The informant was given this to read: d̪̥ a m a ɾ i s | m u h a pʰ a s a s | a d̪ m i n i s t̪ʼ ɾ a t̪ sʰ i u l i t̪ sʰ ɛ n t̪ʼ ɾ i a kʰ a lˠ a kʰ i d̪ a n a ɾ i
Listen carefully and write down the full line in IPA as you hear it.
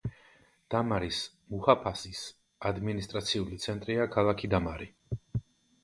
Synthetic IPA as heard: d̪̥ a m a ɾ i s | m u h a pʰ a s i s | a d̪ m i n i s t̪ʼ ɾ a t̪ sʰ i u l i t̪ sʰ ɛ n t̪ʼ ɾ i a kʰ a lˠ a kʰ i d̪ a m a ɾ i

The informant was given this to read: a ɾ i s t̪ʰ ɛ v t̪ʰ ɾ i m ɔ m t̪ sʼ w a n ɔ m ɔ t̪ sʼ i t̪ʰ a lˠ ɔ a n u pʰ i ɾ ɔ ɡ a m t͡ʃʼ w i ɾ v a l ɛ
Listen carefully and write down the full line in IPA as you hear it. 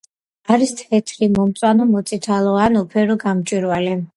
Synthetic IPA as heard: a ɾ i s t̪ʰ ɛ t̪ʰ ɾ i m ɔ m t̪ sʼ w a n ɔ m ɔ t̪ sʼ i t̪ʰ a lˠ ɔ a n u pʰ ɛ ɾ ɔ ɡ a m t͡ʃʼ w i ɾ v a l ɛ

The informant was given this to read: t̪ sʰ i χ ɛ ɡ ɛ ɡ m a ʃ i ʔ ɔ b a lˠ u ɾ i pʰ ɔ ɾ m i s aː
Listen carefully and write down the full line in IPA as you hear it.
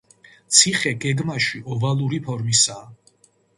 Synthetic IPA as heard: t̪ sʰ i χ ɛ ɡ ɛ ɡ m a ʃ i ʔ ɔ v a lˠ u ɾ i pʰ ɔ ɾ m i s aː

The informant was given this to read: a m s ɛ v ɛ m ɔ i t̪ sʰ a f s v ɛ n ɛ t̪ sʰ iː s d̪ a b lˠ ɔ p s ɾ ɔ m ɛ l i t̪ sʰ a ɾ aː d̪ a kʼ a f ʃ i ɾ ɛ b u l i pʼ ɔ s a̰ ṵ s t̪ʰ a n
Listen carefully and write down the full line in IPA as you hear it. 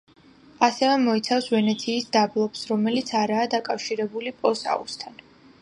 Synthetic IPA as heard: a s ɛ v ɛ m ɔ i t̪ sʰ a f s v ɛ n ɛ t̪ sʰ iː s d̪ a b lˠ ɔ p s ɾ ɔ m ɛ l i t̪ sʰ a ɾ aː d̪ a kʼ a f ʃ i ɾ ɛ b u l i pʼ ɔ s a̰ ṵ s t̪ʰ a n

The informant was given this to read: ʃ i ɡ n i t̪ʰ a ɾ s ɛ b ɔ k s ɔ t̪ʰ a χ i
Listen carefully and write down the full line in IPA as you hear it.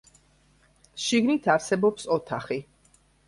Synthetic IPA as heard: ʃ i ɡ n i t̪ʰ a ɾ s ɛ b ɔ p s ɔ t̪ʰ a χ i

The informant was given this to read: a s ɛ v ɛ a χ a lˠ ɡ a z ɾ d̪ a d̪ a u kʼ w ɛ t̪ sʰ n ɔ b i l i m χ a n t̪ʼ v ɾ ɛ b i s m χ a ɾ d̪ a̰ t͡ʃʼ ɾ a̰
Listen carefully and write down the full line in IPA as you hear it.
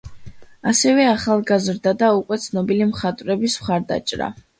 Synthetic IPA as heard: a s ɛ v ɛ a χ a lˠ ɡ a z ɾ d̪ a d̪ a u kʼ w ɛ t̪ sʰ n ɔ b i l i m χ a t̪ʼ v ɾ ɛ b i s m χ a ɾ d̪ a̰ t͡ʃʼ ɾ a̰

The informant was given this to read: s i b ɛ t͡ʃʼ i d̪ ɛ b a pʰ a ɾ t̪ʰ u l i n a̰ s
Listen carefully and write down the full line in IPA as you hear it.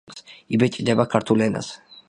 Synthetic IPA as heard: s i b ɛ t͡ʃʼ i d̪ ɛ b a kʰ a ɾ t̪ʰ u l ɛ n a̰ s

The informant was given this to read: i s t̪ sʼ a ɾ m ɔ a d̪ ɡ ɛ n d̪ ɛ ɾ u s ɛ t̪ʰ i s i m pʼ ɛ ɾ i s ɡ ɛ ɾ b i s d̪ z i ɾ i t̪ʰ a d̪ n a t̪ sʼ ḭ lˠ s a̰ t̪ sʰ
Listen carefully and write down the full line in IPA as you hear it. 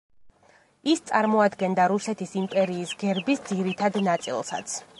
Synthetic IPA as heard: i s t̪ sʼ a ɾ m ɔ a d̪ ɡ ɛ n d̪ a ɾ u s ɛ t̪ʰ i s i m pʼ ɛ ɾ iː s ɡ ɛ ɾ b i s d̪ z i ɾ i t̪ʰ a d̪ n a t̪ sʼ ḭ lˠ s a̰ t̪ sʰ

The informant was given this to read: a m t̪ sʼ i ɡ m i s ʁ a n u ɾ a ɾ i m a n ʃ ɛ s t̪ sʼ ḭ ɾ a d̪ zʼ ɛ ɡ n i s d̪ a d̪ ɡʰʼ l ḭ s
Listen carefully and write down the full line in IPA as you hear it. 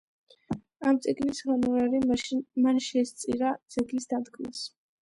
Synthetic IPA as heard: a m t̪ sʼ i ɡ n i s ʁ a n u ɾ a ɾ i m a n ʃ ɛ s t̪ sʼ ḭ ɾ a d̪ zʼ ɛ ɡ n i s d̪ a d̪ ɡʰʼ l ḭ s

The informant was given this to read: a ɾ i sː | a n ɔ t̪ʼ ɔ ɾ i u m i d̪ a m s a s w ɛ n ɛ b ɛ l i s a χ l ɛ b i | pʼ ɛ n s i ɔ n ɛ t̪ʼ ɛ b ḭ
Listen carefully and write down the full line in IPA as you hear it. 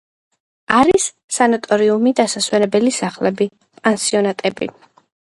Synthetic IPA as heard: a ɾ i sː | a n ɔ t̪ʼ ɔ ɾ i u m i d̪ a s a s w ɛ n ɛ b ɛ l i s a χ l ɛ b i | pʼ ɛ n s i ɔ n a t̪ʼ ɛ b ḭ

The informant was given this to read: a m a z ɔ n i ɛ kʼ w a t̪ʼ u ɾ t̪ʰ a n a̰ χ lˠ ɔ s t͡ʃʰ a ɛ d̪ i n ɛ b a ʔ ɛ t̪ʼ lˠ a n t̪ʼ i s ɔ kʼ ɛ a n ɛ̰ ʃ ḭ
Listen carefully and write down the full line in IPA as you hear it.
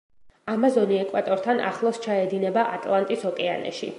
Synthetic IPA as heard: a m a z ɔ n i ɛ kʼ w a t̪ʼ ɔ ɾ t̪ʰ a n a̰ χ lˠ ɔ s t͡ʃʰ a ɛ d̪ i n ɛ b a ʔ a t̪ʼ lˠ a n t̪ʼ i s ɔ kʼ ɛ a n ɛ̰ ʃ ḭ

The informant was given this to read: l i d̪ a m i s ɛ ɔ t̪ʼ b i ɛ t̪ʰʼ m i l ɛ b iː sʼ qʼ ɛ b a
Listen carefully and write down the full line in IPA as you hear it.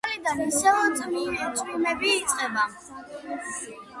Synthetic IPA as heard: l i d̪ a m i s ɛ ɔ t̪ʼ m i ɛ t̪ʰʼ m i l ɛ b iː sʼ qʼ ɛ b a

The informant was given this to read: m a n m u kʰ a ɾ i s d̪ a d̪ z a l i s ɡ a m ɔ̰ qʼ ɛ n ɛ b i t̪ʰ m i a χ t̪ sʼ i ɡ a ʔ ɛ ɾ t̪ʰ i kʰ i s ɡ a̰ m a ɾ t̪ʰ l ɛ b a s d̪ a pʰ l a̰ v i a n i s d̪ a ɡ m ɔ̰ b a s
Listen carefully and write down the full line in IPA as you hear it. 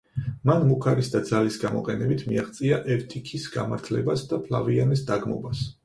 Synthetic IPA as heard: m a n m u kʰ a ɾ i s d̪ a d̪ z a l i s ɡ a m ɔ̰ qʼ ɛ n ɛ b i t̪ʰ m i a χ t̪ sʼ i a ʔ ɛ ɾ t̪ʰ i kʰ i s ɡ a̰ m a ɾ t̪ʰ l ɛ b a s d̪ a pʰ l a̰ v i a n i s d̪ a ɡ m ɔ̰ b a s

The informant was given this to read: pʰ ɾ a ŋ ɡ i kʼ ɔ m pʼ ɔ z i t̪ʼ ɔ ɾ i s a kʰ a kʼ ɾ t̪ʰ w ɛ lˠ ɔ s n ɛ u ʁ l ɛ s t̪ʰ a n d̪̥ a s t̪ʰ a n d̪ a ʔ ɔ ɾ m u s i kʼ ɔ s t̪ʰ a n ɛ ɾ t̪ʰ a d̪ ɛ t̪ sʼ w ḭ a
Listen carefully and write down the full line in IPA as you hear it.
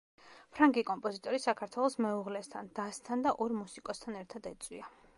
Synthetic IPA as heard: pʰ ɾ a ŋ ɡ i kʼ ɔ m pʼ ɔ z i t̪ʼ ɔ ɾ i s a kʰ a ɾ t̪ʰ w ɛ lˠ ɔ s m ɛ u ʁ l ɛ s t̪ʰ a n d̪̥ a s t̪ʰ a n d̪ a ʔ ɔ ɾ m u s i kʼ ɔ s t̪ʰ a n ɛ ɾ t̪ʰ a d̪ ɛ t̪ sʼ w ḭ a

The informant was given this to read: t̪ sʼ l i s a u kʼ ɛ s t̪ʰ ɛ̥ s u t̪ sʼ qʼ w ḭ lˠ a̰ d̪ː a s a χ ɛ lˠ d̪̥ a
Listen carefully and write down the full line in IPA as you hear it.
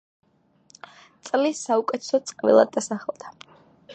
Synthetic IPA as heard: t̪ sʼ l i s a u kʼ ɛ t̪ʰ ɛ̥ s ɔ t̪ sʼ qʼ v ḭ lˠ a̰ d̪ː a s a χ ɛ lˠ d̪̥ a

